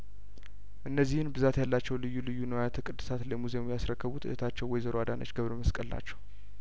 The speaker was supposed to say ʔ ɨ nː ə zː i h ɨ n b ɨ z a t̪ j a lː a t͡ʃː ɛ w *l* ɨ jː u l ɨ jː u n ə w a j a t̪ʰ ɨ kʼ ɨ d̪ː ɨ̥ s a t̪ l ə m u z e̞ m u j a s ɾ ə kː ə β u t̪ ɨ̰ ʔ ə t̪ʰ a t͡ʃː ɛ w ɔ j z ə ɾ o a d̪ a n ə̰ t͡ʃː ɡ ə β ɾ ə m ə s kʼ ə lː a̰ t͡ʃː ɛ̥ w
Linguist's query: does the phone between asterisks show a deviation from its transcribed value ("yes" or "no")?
no